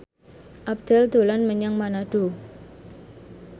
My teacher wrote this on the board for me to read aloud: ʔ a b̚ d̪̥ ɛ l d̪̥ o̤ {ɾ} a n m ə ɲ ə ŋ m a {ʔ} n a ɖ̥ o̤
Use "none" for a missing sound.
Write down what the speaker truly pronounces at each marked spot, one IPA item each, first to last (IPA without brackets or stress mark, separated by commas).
l, none